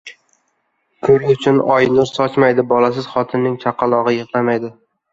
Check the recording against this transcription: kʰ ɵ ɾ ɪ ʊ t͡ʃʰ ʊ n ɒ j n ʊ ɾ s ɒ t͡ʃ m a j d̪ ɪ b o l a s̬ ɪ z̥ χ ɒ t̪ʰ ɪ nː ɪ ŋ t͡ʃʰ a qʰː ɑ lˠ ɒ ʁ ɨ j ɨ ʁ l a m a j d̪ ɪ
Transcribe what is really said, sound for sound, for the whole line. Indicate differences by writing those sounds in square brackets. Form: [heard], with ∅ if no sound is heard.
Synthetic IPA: kʰ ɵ ɾ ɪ ʊ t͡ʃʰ ʊ n ɒ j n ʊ ɾ s ɒ t͡ʃ m a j d̪ ɪ b [ɒ] l a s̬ ɪ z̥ χ ɒ t̪ʰ ɪ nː ɪ ŋ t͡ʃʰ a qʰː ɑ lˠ ɒ ʁ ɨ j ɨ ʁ l a m a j d̪ ɪ